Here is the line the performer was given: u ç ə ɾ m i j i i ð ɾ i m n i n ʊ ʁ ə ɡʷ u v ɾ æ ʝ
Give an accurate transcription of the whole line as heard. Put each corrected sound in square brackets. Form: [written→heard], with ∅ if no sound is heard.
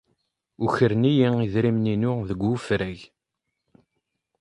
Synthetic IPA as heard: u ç ə ɾ [m→n] i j i i ð ɾ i m n i n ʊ [ʁ→ð] ə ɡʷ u [v→f] ɾ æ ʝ